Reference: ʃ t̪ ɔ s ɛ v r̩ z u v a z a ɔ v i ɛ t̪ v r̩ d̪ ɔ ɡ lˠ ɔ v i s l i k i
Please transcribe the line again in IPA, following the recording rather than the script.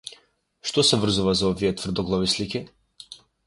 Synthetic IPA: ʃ t̪ ɔ s ɛ v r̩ z u v a z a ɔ v i ɛ t̪ v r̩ d̪ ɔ ɡ lˠ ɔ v i s l i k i